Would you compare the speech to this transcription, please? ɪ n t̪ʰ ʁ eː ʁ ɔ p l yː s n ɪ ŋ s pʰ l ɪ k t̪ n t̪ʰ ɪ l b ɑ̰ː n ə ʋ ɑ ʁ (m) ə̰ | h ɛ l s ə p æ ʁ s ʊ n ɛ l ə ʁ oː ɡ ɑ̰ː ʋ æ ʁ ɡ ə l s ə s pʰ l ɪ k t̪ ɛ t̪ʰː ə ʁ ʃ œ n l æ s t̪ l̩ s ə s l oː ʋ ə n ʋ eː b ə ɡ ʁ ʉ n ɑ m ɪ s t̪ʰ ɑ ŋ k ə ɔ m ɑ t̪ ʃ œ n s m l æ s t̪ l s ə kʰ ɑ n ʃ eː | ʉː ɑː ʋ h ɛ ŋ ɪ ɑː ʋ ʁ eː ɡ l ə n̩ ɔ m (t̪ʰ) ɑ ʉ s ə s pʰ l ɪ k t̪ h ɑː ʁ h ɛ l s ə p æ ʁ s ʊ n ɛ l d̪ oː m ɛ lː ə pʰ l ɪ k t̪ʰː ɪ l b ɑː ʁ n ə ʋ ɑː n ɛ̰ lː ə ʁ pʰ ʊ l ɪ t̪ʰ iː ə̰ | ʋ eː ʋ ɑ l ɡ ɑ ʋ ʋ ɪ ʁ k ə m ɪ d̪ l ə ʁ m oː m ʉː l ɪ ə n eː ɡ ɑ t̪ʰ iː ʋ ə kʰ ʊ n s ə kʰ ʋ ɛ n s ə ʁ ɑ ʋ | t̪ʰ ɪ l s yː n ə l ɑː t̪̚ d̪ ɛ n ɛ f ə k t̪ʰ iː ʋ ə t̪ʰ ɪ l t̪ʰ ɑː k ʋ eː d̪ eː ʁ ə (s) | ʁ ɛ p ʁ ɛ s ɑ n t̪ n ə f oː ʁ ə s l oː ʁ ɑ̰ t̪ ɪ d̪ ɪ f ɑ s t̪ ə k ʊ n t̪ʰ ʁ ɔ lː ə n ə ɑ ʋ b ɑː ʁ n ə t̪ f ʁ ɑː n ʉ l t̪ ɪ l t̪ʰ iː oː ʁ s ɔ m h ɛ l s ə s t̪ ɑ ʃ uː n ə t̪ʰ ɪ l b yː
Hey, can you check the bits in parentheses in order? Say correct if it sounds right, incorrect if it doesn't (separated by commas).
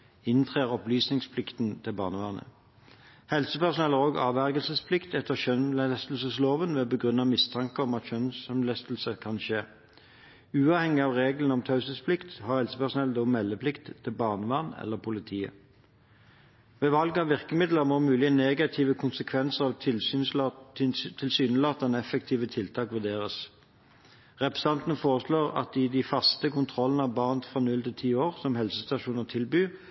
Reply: incorrect, correct, correct